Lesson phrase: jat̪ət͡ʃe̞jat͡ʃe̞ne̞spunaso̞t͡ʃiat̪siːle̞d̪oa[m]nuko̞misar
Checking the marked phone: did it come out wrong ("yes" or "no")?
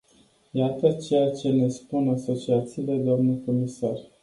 no